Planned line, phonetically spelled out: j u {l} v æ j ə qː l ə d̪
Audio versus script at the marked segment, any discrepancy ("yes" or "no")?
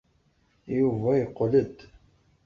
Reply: yes